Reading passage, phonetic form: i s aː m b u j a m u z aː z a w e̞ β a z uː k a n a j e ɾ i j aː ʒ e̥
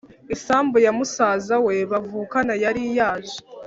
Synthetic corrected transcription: i s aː m b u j a m u s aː z a w e̞ β a v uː k a n a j a ɾ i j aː ʒ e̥